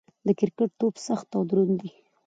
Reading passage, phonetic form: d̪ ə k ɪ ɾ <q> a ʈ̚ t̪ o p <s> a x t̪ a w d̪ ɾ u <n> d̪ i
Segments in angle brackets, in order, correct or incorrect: incorrect, correct, correct

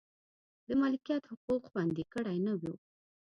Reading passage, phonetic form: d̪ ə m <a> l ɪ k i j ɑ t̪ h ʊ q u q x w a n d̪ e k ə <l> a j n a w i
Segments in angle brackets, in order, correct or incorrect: incorrect, incorrect

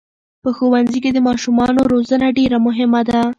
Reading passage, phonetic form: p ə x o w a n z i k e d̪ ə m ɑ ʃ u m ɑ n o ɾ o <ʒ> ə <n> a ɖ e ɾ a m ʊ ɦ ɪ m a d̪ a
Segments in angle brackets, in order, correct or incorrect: incorrect, correct

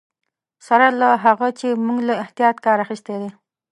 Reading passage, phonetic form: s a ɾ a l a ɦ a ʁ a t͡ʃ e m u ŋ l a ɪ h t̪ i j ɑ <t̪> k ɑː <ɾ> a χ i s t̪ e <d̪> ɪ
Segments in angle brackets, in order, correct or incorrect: correct, correct, correct

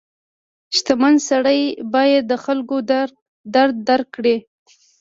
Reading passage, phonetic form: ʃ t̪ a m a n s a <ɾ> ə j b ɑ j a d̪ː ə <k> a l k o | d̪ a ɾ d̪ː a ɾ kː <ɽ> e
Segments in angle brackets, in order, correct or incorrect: incorrect, incorrect, correct

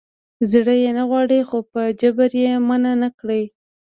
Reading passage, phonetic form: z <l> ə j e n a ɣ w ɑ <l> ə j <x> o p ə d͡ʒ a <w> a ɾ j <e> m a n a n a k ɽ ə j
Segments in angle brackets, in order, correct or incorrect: incorrect, incorrect, correct, incorrect, correct

